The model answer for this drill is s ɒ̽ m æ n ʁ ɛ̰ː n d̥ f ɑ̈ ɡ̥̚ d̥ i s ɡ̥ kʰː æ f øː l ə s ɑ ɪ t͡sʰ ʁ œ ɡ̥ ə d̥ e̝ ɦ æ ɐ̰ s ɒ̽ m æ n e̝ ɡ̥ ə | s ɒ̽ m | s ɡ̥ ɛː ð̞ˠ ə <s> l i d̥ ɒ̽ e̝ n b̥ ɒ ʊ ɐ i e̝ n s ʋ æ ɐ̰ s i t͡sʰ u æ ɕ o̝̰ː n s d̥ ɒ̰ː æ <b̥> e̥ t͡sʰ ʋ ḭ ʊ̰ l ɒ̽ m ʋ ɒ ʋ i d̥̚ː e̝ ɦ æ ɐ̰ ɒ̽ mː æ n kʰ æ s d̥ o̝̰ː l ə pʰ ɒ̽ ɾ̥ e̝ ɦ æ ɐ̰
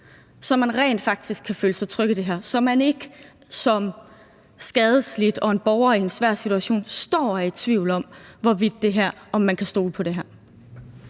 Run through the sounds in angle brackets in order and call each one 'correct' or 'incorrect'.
correct, incorrect

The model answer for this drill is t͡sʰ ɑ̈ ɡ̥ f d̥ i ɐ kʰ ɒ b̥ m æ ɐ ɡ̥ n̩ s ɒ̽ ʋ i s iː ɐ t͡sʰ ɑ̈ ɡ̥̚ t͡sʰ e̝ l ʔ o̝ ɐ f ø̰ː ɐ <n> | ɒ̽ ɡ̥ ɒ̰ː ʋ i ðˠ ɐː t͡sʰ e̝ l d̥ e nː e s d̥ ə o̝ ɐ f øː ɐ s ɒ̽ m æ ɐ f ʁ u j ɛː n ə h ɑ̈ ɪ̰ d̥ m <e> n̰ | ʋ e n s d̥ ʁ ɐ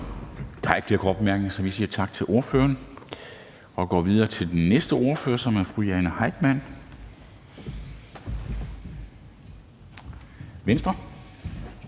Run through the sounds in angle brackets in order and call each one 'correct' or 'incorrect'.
correct, incorrect

